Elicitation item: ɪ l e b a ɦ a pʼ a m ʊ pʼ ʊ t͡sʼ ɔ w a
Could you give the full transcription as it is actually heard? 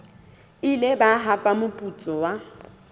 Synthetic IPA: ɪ l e b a ɦ a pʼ a m ʊ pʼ u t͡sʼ ɔ w a